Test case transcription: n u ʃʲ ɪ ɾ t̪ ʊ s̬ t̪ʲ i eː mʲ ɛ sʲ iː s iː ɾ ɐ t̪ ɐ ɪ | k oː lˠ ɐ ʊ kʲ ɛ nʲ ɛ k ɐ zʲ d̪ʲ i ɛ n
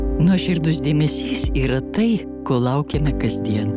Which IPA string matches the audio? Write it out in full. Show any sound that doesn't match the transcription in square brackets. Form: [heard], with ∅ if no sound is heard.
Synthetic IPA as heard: n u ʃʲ ɪ ɾ [d̪] ʊ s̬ [d̪ʲ] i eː mʲ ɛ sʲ iː s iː ɾ ɐ t̪ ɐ ɪ | k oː lˠ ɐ ʊ kʲ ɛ [mʲ] ɛ k ɐ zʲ d̪ʲ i ɛ n

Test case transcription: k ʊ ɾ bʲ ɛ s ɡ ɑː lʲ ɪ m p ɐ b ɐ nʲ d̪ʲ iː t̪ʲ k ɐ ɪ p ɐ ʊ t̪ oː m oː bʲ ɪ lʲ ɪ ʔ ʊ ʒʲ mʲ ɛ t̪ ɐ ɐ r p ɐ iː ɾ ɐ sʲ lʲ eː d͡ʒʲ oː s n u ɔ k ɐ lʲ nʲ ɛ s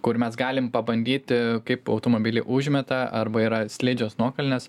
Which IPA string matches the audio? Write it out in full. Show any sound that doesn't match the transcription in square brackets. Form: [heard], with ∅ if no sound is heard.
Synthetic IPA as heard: k ʊ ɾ [mʲ] ɛ s ɡ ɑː lʲ ɪ m p ɐ b ɐ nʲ d̪ʲ iː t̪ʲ k ɐ ɪ p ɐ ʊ t̪ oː m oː bʲ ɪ lʲ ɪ ʔ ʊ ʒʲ mʲ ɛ t̪ ɐ ɐ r [b] ɐ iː ɾ ɐ sʲ lʲ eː d͡ʒʲ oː s n u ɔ k ɐ lʲ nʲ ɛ s

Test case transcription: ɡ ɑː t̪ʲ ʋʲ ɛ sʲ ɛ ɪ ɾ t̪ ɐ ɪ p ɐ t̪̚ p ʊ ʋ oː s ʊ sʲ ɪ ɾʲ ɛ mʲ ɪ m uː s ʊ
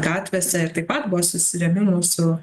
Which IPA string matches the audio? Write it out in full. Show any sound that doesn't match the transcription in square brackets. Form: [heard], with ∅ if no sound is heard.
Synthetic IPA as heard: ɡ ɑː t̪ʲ ʋʲ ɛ sʲ ɛ ɪ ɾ t̪ ɐ ɪ p ɐ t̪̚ [b] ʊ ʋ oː s ʊ sʲ ɪ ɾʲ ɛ mʲ ɪ m uː s ʊ

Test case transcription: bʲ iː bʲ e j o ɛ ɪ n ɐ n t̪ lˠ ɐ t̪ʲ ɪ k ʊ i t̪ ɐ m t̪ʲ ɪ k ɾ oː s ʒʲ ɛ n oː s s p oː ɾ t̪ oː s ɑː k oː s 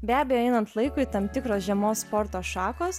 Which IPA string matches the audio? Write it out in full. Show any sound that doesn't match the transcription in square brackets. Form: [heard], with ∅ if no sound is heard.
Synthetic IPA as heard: bʲ [æː] bʲ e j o ɛ ɪ n ɐ n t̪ lˠ ɐ [∅] ɪ k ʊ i t̪ ɐ m t̪ʲ ɪ k ɾ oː s ʒʲ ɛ [m] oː s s p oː ɾ t̪ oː [ʃ] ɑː k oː s

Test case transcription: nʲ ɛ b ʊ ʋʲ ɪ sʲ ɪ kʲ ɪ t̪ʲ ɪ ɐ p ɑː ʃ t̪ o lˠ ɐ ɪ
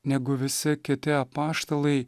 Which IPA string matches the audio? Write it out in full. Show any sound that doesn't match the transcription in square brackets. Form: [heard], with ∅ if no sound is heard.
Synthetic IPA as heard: nʲ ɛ [ɡ] ʊ ʋʲ ɪ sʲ ɪ kʲ ɪ t̪ʲ ɪ ɐ p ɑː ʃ t̪ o lˠ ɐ ɪ

